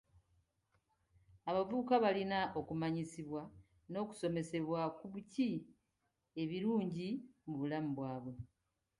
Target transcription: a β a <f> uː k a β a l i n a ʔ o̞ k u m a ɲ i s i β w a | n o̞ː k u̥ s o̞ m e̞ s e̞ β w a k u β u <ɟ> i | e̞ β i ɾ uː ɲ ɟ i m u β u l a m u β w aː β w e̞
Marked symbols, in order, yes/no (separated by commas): no, no